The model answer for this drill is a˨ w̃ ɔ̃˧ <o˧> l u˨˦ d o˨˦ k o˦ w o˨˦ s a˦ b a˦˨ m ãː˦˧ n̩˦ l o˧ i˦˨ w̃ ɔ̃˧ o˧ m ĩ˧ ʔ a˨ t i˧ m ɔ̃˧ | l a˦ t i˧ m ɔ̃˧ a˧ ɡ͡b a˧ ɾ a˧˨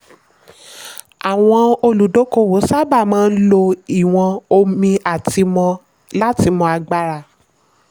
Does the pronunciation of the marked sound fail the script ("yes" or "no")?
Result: no